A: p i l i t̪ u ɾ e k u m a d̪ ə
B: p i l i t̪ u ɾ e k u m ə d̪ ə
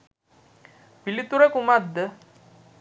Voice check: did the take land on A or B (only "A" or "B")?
A